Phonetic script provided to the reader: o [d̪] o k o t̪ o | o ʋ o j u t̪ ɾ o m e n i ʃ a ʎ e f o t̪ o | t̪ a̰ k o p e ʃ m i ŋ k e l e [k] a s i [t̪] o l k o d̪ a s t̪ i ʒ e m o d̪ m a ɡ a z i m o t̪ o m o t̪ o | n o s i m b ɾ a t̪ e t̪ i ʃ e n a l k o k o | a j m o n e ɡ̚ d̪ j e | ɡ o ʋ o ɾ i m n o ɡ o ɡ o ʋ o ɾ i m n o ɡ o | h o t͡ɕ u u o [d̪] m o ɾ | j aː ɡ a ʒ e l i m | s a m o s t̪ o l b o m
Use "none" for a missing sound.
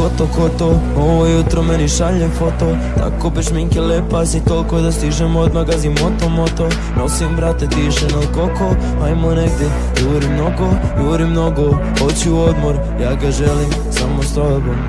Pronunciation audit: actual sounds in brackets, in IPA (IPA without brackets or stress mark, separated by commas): t̪, p, t̪, d̪